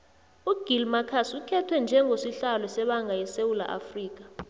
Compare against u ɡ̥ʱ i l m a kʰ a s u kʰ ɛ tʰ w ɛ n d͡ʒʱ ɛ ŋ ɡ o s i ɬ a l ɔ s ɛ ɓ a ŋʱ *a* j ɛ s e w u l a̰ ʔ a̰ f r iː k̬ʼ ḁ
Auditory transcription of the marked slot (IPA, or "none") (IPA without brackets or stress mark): a